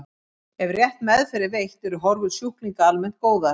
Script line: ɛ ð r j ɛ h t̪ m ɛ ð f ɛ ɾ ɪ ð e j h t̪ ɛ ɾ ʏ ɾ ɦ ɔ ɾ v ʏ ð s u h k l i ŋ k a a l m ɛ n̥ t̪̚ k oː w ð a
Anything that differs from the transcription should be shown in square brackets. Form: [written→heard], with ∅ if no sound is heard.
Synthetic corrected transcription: ɛ [ð→v] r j ɛ h t̪ m ɛ ð f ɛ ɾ ɪ [ð→v] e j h t̪ ɛ ɾ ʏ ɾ ɦ ɔ ɾ v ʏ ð s u h k l i ŋ k a a l m ɛ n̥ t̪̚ k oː w ð a

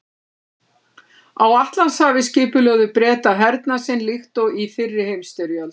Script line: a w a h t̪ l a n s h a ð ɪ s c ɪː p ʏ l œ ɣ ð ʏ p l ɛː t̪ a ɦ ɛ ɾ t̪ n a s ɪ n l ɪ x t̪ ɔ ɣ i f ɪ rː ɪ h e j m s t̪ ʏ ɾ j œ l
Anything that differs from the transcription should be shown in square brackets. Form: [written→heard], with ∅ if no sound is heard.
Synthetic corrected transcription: a w a h t̪ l a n s h a [ð→v] ɪ s c ɪː p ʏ l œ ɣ ð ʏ p [l→ɾ] ɛː t̪ a ɦ ɛ ɾ t̪ n a s ɪ n l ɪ x t̪ ɔ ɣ i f ɪ rː ɪ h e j m s t̪ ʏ ɾ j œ l

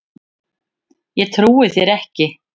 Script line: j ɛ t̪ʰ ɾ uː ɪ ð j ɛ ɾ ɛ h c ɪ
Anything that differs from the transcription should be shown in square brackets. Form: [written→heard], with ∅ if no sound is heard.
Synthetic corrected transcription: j ɛ t̪ʰ ɾ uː ɪ [ð→θ] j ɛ ɾ ɛ h c ɪ

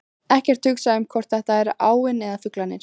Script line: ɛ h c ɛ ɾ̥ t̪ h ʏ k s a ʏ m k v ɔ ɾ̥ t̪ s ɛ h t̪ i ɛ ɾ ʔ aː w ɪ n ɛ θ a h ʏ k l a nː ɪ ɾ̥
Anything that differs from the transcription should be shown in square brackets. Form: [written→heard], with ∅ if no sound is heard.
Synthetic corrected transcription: ɛ h c ɛ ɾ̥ t̪ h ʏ k s a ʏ m [k→kʰ] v ɔ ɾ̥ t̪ [s→θ] ɛ h t̪ [i→a] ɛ ɾ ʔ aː w ɪ n ɛ [θ→ð] a [h→f] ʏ k l a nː ɪ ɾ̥

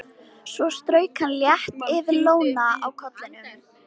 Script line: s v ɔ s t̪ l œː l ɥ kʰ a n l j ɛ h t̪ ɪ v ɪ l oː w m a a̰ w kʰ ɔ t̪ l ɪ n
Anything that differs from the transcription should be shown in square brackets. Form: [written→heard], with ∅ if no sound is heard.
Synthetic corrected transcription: s v ɔ s t̪ [l→ɾ] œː [l→∅] ɥ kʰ a n l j ɛ h t̪ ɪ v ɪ l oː w [m→n] a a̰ w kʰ ɔ t̪ l ɪ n

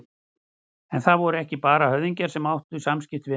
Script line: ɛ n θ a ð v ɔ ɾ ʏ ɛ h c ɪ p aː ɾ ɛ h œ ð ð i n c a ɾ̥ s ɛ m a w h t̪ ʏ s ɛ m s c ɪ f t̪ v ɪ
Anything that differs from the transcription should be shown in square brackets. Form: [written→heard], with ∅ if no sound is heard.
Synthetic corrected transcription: ɛ n θ a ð v ɔ ɾ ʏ ɛ h c ɪ p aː ɾ [ɛ→a] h œ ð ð i [n→ɲ] c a ɾ̥ s ɛ m a w h t̪ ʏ s [ɛ→a] m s c ɪ f t̪ v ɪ

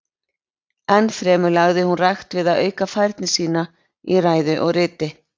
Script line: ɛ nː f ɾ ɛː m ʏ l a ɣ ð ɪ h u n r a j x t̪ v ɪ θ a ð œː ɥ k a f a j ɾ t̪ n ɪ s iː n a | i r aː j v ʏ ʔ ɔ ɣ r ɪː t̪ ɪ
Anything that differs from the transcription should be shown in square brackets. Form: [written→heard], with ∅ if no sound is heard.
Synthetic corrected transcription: ɛ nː f ɾ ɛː m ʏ l a ɣ ð ɪ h u n r a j x t̪ v ɪ [θ→ð] a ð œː ɥ k a f a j ɾ t̪ n ɪ s iː n a | i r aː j [v→ð] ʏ ʔ ɔ ɣ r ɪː t̪ ɪ

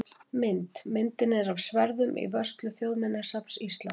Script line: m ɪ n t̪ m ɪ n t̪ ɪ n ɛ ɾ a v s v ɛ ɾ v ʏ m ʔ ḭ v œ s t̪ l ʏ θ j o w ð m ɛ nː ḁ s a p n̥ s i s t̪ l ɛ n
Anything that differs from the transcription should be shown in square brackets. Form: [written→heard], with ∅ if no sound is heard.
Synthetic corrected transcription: m ɪ n t̪ m ɪ n t̪ ɪ n ɛ ɾ a v s v ɛ ɾ [v→ð] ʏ m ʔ ḭ v œ s t̪ l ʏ θ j o w ð m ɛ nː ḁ s a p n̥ s i s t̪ l [ɛ→a] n

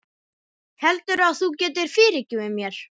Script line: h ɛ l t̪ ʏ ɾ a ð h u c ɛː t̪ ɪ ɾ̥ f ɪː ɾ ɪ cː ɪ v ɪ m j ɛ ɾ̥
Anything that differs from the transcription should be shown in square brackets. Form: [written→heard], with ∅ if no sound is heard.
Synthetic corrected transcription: h ɛ l t̪ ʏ ɾ a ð [h→θ] u c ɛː t̪ ɪ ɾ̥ f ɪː ɾ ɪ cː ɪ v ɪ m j ɛ ɾ̥

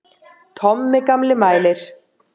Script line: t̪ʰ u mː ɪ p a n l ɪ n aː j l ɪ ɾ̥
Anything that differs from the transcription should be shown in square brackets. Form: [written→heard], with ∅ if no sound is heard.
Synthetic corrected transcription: t̪ʰ [u→ɔ] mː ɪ [p→k] a [n→m] l ɪ [n→m] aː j l ɪ ɾ̥

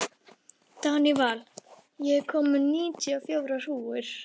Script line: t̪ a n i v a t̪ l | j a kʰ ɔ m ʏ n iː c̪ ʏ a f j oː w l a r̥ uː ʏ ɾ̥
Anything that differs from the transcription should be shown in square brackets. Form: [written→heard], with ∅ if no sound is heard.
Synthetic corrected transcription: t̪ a n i v a [t̪→∅] l | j [a→ɛ] kʰ ɔ m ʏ n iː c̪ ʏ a f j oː w [l→ɾ] a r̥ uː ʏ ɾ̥

